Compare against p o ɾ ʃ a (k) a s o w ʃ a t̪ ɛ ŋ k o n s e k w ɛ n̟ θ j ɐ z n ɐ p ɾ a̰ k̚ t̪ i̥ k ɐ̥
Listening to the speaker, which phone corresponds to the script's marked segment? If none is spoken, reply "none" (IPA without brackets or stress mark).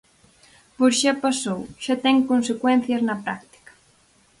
p